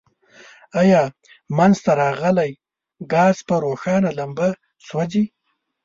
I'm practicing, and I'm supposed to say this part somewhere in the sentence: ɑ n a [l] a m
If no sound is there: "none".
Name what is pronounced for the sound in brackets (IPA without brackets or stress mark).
l